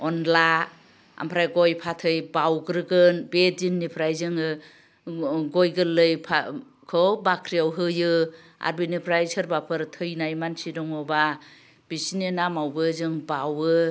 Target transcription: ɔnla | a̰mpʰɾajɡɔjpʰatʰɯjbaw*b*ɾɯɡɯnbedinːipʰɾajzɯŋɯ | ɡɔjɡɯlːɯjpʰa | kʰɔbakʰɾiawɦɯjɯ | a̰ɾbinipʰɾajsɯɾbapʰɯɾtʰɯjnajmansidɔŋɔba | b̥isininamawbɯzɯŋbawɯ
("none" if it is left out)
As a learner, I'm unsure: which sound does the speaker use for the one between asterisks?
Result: ɡ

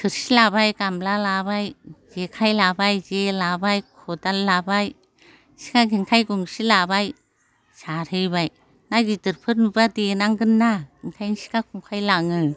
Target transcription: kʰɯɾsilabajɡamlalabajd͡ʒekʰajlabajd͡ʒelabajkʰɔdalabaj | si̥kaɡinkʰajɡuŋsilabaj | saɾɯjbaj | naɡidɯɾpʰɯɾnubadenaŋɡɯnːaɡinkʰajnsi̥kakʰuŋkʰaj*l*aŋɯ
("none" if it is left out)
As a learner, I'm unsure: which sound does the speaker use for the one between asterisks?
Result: l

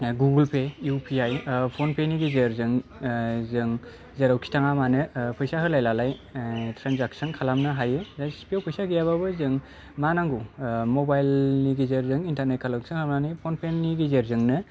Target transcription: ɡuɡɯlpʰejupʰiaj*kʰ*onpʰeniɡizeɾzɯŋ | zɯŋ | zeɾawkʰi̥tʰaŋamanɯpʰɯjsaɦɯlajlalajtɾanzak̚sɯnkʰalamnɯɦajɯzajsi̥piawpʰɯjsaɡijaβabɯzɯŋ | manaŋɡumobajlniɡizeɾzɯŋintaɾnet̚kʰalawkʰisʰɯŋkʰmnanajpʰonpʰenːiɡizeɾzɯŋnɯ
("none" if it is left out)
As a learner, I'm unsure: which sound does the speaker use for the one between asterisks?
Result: pʰ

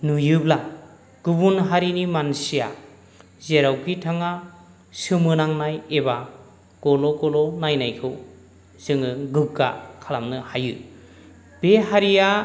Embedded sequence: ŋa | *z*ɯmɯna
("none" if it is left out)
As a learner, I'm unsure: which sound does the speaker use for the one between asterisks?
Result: s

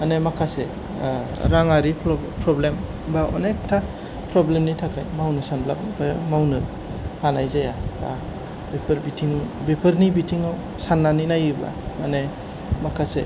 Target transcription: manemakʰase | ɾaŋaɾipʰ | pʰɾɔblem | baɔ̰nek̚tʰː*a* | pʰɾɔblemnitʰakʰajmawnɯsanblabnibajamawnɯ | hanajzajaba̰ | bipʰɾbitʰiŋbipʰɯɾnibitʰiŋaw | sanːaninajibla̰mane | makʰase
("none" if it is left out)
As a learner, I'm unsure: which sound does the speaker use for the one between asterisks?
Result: a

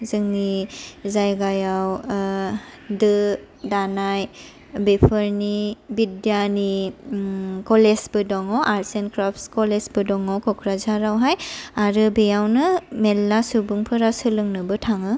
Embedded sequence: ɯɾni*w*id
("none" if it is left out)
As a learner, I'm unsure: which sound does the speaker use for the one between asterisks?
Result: b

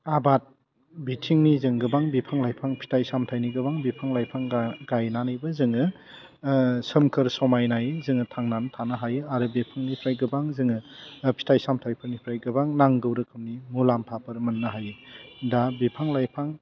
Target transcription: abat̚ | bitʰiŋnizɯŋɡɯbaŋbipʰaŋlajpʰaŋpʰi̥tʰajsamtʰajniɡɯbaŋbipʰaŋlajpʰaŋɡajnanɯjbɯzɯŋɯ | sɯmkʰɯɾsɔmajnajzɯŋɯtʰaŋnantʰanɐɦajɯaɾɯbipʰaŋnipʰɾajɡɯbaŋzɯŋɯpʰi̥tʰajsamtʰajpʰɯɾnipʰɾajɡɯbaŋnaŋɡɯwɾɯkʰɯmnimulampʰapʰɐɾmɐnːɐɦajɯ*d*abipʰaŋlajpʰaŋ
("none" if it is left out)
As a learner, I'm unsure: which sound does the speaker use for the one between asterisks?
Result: d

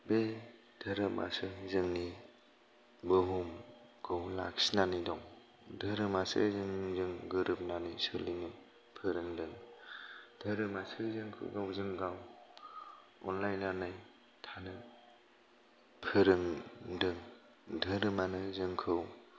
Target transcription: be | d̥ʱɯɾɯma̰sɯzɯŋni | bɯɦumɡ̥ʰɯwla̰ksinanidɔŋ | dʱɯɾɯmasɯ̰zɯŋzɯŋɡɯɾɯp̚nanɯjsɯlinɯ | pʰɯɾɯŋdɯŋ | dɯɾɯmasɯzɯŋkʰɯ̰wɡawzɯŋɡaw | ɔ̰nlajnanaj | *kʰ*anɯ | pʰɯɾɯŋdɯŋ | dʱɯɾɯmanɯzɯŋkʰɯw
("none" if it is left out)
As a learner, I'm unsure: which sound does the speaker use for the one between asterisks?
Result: tʰ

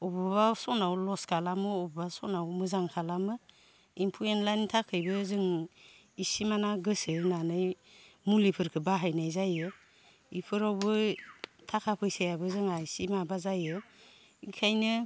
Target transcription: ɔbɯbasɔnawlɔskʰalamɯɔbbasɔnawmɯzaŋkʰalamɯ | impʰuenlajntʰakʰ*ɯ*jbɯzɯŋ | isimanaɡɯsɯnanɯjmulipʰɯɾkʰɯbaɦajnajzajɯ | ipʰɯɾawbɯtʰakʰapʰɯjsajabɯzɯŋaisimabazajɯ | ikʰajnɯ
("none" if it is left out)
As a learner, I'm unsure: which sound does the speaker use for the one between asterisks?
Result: ɯ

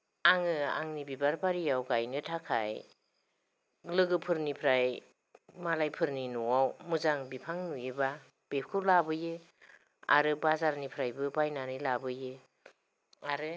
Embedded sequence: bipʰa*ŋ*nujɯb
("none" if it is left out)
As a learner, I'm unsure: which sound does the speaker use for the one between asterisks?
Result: ŋ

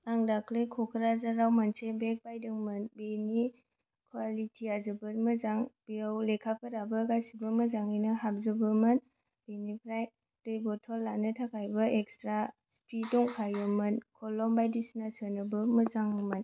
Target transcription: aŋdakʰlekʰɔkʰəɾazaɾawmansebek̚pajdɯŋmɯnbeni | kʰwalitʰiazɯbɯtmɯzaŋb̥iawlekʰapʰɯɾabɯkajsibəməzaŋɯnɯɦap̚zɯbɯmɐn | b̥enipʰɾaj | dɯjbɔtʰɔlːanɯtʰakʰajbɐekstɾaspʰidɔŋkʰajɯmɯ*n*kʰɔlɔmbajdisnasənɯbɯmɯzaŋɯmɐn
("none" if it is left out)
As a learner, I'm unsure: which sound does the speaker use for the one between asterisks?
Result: n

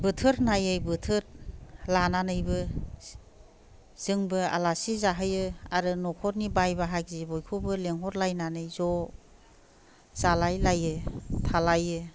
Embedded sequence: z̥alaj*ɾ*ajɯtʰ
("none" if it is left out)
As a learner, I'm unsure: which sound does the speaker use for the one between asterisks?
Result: l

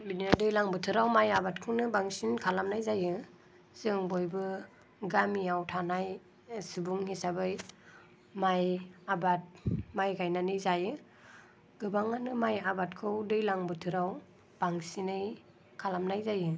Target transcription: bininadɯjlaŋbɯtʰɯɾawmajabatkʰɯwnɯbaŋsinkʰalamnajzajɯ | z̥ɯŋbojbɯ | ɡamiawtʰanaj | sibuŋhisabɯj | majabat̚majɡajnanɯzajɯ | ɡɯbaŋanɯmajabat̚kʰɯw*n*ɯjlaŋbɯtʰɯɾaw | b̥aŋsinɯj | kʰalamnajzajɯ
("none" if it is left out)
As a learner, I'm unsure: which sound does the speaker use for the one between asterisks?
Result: d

